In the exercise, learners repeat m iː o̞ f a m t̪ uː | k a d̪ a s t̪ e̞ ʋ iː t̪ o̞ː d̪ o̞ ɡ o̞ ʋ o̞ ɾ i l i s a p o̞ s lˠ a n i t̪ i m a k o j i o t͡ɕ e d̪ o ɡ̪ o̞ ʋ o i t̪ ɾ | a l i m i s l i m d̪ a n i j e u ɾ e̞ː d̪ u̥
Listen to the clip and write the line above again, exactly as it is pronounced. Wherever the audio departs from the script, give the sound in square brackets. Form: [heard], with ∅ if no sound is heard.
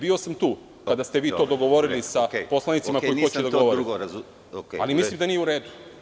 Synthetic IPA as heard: [b] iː o̞ [s] a m t̪ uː | k a d̪ a s t̪ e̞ ʋ iː t̪ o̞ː d̪ o̞ ɡ o̞ ʋ o̞ ɾ i l i s a p o̞ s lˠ a n i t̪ i m a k o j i o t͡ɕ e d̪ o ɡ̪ o̞ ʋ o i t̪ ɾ | a l i m i s l i m d̪ a n i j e u ɾ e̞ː d̪ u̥